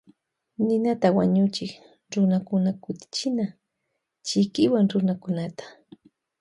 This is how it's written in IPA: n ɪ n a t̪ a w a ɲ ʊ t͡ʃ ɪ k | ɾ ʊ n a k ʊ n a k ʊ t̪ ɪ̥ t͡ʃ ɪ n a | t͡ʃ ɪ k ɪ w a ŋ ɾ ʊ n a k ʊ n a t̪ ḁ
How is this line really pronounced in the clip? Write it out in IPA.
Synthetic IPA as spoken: n ɪ n a t̪ a w a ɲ ʊ t͡ʃ ɪ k | ɾ ʊ n a k ʊ n a k ʊ t̪ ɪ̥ t͡ʃ ɪ n a | t͡ʃ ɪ k ɪ w a ŋ ɾ ʊ n a k ʊ n a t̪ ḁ